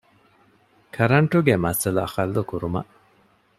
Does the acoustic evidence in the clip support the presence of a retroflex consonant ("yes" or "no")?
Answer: yes